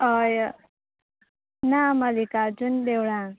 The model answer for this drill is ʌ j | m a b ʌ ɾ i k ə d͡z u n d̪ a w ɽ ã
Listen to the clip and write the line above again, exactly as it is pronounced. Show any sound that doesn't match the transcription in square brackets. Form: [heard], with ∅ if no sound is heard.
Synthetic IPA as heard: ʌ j | [n] a [m] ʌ [l] i k [a] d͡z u n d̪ [e] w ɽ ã